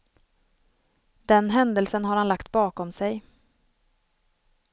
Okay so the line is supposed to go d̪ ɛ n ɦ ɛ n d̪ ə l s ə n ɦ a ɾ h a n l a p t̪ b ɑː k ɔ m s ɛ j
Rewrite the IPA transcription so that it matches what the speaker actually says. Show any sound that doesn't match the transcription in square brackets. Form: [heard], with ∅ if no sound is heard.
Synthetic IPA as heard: d̪ ɛ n ɦ ɛ n d̪ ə l s ə n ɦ a ɾ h a n l a [k] t̪ b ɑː k ɔ m s ɛ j